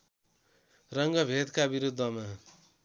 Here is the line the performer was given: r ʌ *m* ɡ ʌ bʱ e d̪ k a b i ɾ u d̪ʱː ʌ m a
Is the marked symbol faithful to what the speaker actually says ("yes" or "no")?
no